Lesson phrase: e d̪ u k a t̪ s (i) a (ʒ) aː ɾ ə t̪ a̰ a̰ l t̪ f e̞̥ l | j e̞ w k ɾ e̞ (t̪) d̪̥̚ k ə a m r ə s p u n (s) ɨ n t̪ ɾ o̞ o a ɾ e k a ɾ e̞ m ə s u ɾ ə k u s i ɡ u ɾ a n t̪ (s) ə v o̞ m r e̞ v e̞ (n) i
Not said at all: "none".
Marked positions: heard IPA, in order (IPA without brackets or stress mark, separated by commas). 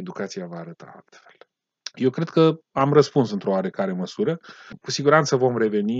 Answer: i, v, none, s, s, n